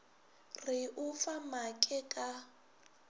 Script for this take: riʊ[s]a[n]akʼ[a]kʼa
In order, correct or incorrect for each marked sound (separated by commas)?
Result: incorrect, incorrect, incorrect